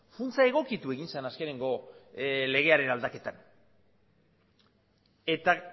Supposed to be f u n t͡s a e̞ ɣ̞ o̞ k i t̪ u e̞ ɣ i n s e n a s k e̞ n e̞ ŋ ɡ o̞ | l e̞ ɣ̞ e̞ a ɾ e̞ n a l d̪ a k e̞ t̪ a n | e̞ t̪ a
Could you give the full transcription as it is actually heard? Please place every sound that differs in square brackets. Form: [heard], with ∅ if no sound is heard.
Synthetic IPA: f u n t͡s a e̞ ɣ̞ o̞ k i t̪ u e̞ ɣ i n s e n a s k e̞ n e̞ ŋ ɡ o̞ | l e̞ ɣ̞ e̞ a ɾ e̞ n a l d̪ a k e̞ t̪ a n | e̞ t̪ a